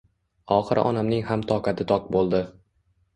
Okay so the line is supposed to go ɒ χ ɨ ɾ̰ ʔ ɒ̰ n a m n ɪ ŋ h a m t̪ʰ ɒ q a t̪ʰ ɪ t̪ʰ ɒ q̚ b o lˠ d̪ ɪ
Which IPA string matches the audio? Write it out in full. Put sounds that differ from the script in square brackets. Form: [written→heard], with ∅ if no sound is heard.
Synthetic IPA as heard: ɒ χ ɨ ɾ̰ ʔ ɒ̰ n a m n ɪ ŋ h a m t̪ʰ ɒ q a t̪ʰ ɪ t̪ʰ ɒ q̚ b o lˠ d̪ ɪ